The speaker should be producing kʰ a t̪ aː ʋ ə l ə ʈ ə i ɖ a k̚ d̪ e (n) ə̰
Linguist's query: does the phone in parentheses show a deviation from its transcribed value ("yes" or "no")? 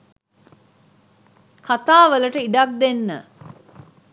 yes